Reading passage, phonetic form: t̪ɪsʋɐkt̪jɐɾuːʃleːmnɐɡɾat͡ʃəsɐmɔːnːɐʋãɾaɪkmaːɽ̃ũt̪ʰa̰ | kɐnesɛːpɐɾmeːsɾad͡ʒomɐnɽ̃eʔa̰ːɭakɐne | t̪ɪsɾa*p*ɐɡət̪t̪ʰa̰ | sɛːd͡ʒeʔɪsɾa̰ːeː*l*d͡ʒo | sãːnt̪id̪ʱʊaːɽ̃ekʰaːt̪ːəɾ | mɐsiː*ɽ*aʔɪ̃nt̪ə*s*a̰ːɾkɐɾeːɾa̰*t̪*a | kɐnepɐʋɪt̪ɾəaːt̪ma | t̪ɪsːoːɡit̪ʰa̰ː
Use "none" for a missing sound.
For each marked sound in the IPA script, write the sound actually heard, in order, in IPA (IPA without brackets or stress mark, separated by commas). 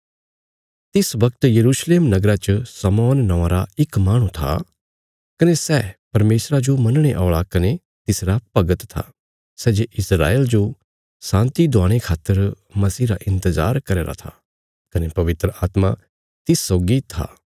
p, l, ɾ, z, t̪ʰ